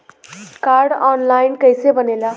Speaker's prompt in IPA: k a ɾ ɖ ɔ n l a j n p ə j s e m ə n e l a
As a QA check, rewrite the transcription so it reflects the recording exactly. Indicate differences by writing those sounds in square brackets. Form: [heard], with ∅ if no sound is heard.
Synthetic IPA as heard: k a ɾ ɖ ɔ n l a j n [k] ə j s e [b] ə n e l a